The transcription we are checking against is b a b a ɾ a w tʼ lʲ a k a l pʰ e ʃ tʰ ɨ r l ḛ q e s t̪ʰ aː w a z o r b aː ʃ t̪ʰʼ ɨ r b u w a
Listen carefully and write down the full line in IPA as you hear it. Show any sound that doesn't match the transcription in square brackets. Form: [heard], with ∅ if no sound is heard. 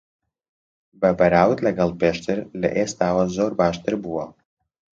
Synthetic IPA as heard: b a b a ɾ a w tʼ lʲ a [ɡ] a l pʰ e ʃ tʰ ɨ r l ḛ [ʔ] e s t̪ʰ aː w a z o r b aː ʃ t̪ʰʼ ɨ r b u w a